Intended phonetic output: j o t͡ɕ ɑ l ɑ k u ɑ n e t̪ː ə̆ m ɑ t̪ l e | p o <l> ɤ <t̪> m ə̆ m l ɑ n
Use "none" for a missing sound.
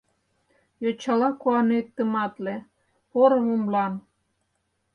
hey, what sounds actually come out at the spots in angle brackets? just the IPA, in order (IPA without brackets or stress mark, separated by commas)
ɾ, none